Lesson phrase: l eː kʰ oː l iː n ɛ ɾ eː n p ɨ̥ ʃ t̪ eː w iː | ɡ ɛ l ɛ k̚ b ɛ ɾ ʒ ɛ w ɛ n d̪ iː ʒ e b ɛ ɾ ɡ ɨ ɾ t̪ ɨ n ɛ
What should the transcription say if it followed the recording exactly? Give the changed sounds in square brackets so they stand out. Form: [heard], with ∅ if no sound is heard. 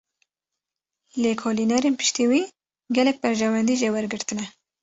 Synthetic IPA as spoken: l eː kʰ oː l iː n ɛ ɾ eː n p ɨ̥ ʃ t̪ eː w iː | ɡ ɛ l ɛ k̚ b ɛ ɾ ʒ ɛ w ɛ n d̪ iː ʒ e [w] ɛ ɾ ɡ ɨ ɾ t̪ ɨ n ɛ